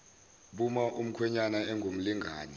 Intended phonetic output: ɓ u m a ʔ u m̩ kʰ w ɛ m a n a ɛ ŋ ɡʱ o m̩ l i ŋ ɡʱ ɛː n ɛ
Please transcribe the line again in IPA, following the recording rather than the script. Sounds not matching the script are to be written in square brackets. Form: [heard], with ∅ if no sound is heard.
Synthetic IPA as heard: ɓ u m a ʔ u m̩ kʰ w ɛ [ɲ] a n a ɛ ŋ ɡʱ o m̩ l i ŋ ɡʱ [aː] n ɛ